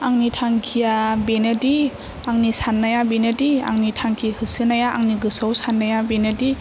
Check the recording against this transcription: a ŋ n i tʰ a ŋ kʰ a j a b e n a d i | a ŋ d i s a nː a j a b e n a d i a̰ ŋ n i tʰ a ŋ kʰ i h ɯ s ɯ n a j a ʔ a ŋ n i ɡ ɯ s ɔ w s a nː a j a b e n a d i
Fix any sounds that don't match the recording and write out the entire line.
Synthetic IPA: a ŋ n i tʰ a ŋ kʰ i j a b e n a d i | a ŋ n i s a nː a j a b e n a d i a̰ ŋ n i tʰ a ŋ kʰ i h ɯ s ɯ n a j a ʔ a ŋ n i ɡ ɯ s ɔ w s a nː a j a b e n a d i